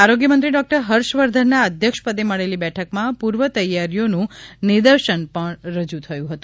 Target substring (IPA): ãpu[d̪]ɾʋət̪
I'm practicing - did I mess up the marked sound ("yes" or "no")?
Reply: yes